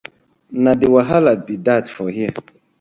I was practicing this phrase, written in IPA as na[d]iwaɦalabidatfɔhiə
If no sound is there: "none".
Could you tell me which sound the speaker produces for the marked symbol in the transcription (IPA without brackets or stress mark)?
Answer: d